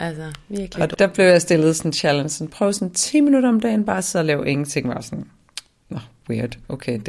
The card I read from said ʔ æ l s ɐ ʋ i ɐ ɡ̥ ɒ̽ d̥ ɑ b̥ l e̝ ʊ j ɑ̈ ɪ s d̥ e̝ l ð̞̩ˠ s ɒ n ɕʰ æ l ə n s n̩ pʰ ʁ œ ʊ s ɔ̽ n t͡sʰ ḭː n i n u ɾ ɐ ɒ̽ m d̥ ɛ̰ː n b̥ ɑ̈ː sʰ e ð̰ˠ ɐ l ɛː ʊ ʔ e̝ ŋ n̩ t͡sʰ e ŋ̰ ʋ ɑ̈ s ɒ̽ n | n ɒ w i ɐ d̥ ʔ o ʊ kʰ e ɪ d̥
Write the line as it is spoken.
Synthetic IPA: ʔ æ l s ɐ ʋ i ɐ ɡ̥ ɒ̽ d̥ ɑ b̥ l e̝ ʊ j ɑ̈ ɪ s d̥ e̝ l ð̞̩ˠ s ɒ n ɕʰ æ l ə n s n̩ pʰ ʁ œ ʊ s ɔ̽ n t͡sʰ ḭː m i n u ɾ ɐ ɒ̽ m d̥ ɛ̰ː n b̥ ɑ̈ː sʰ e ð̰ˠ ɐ l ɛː ʊ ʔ e̝ ŋ n̩ t͡sʰ e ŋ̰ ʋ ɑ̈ s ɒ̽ n | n ɒ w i ɐ d̥ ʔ o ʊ kʰ e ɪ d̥